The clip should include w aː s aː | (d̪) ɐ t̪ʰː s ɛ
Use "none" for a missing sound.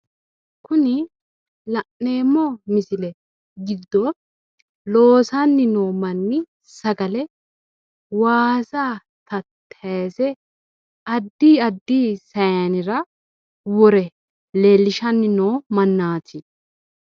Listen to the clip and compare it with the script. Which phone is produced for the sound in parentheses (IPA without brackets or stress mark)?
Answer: t̪